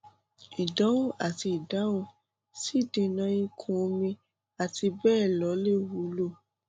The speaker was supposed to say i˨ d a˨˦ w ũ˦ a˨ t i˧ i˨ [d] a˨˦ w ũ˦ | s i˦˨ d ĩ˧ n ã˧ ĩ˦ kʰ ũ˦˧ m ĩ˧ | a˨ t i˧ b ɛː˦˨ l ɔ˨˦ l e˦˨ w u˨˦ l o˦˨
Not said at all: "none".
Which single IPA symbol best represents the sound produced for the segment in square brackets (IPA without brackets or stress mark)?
d